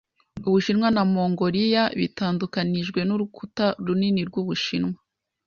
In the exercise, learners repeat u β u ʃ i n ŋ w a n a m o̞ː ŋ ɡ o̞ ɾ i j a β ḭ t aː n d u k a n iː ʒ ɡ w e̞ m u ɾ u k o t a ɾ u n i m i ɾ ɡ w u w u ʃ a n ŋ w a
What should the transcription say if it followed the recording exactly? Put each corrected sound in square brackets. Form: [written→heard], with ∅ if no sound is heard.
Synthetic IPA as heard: u β u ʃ i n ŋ w a n a m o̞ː ŋ ɡ o̞ ɾ i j a β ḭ t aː n d u k a n [iː→i] ʒ ɡ w e̞ [m→n] u ɾ u k [o→u] t a ɾ u n i [m→n] i ɾ ɡ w u [w→β] u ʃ [a→i] n ŋ w a